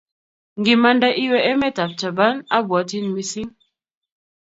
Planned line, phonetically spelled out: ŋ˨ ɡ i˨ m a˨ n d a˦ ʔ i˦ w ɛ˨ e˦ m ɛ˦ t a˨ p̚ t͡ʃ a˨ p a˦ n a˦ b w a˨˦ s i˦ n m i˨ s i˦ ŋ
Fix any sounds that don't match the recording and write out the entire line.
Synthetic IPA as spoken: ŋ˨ ɡ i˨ m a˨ n d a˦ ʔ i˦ w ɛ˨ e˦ m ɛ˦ t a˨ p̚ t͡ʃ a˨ b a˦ n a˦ b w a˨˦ t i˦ n m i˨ s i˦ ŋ